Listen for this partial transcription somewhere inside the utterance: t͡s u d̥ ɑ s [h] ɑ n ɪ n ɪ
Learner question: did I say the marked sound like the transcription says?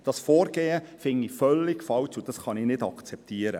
no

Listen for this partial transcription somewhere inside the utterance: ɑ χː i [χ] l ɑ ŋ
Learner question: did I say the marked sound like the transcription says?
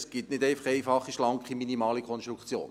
no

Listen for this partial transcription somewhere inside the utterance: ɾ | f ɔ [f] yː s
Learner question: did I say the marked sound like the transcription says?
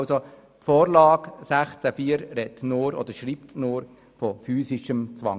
yes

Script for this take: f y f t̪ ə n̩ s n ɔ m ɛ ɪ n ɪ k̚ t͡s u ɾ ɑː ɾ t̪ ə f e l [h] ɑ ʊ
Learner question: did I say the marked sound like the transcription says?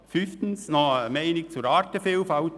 no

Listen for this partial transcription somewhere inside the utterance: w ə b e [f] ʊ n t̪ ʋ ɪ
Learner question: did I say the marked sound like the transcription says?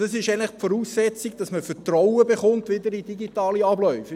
no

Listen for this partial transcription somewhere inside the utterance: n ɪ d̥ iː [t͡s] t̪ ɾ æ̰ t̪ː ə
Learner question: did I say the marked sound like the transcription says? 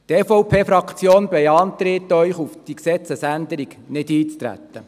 yes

